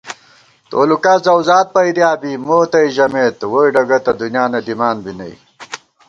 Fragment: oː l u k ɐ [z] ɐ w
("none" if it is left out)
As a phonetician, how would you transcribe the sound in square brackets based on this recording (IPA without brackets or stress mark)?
z